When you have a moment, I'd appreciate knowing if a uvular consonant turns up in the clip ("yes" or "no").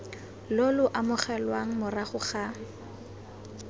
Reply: yes